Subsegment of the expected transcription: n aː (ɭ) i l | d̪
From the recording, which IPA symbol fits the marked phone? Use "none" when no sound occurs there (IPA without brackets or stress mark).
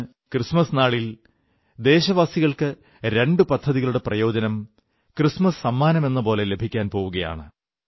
ɭ